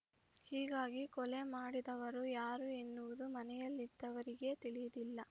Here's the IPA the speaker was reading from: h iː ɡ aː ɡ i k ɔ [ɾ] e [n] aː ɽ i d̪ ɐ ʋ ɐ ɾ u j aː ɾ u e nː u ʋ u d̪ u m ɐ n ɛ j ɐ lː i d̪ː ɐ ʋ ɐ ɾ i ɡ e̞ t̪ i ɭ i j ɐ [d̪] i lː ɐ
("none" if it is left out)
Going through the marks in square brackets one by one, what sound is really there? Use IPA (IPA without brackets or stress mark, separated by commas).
l, m, d̪